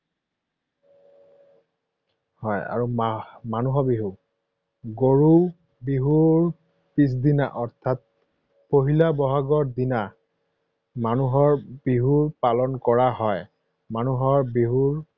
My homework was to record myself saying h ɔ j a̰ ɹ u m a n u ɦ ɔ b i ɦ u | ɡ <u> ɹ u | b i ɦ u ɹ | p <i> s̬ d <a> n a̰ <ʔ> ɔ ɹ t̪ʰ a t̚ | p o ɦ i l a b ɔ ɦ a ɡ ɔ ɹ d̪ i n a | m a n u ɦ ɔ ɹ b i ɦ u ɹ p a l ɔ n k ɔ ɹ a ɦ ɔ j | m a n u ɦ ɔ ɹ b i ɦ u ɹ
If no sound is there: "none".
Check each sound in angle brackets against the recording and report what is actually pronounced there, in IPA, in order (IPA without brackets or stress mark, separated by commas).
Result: o, i, i, ʔ